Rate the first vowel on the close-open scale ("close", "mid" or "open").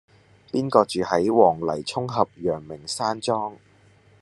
close